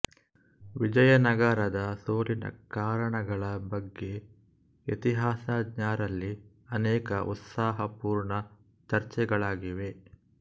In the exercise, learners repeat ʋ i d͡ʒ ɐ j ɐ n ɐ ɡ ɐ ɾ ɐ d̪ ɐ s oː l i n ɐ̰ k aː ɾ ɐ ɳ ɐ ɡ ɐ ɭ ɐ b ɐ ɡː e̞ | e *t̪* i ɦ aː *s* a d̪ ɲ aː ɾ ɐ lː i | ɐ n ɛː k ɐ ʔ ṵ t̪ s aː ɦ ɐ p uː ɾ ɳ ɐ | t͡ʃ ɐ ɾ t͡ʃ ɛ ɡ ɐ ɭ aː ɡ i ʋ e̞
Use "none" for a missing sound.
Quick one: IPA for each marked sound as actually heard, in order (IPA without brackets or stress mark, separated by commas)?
t̪, s